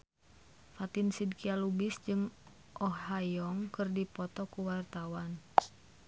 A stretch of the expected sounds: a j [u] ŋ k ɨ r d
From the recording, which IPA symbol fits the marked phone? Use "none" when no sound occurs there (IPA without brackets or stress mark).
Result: ɔ